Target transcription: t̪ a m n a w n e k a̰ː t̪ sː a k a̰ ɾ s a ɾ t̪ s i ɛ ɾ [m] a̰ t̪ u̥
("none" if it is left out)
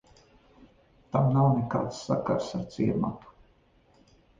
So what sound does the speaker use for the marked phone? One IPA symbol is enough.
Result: m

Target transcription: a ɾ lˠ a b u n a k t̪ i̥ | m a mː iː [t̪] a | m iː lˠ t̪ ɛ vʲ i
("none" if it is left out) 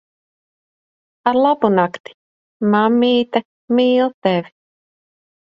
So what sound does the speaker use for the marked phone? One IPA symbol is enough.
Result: t̪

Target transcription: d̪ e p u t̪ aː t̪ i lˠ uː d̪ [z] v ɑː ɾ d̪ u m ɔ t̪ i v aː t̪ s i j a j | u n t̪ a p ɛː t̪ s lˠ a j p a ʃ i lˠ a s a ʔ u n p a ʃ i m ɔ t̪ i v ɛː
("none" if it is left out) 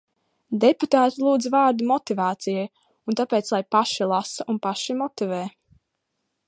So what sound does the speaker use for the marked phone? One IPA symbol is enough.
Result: z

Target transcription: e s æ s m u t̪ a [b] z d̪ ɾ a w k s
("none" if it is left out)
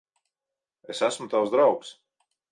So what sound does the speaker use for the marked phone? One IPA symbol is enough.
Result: w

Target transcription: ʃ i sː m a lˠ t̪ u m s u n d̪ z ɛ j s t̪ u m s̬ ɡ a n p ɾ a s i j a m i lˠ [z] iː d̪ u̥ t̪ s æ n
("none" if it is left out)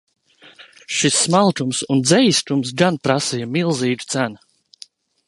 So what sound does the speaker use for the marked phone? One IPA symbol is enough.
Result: z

